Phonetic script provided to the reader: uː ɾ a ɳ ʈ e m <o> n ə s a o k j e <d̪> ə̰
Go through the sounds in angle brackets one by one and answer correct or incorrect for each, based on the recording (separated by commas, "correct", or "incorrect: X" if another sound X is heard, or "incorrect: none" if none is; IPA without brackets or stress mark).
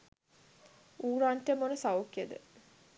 correct, correct